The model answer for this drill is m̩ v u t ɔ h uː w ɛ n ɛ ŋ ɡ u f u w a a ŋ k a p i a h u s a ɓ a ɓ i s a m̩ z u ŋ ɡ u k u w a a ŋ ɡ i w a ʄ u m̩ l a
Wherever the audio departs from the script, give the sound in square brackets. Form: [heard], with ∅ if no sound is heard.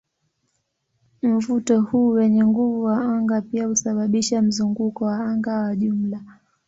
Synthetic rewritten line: m̩ v u t ɔ h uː w ɛ [ɲ] ɛ ŋ ɡ u [v] u w a a ŋ [ɡ] a p i a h u s a ɓ a ɓ i [ʃ] a m̩ z u ŋ ɡ u k [ɔ] w a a ŋ ɡ [a] w a ʄ u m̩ l a